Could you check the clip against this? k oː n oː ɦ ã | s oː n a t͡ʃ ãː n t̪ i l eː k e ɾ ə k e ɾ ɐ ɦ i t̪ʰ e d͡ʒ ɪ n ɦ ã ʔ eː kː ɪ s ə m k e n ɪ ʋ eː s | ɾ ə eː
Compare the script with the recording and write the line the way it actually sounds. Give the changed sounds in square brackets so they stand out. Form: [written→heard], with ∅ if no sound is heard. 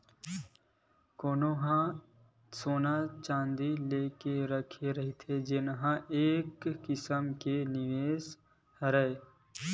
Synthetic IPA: k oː n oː ɦ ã | s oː n a t͡ʃ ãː n [t̪→d̪] i l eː k e ɾ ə [k→kʰ] e ɾ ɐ ɦ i t̪ʰ e d͡ʒ ɪ n ɦ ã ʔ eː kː ɪ s ə m k e n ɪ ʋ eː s | ɾ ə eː